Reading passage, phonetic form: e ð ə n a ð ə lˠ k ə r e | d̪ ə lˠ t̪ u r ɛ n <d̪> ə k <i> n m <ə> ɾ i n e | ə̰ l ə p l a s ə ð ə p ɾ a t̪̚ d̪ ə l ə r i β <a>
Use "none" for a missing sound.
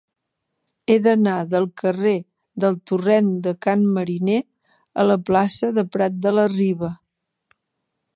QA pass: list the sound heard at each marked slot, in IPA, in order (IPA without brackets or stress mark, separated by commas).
d̪, a, ə, ə